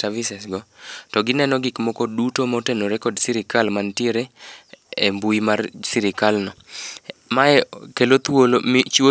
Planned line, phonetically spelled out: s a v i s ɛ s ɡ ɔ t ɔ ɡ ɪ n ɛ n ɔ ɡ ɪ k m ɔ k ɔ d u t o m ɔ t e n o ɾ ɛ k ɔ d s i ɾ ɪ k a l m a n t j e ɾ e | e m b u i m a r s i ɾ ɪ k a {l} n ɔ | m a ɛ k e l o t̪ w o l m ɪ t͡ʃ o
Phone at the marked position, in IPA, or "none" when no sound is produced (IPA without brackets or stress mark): l